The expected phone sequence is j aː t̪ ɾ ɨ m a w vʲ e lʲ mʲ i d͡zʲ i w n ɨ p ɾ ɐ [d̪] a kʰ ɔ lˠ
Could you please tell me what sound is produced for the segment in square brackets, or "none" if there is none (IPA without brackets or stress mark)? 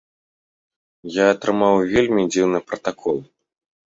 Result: t̪